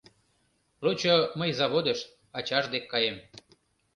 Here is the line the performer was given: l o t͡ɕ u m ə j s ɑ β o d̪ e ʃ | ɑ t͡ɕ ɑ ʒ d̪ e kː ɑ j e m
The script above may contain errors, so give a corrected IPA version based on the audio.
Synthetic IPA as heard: l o t͡ɕ o m ə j z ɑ β o d̪ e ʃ | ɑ t͡ɕ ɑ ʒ d̪ e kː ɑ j e m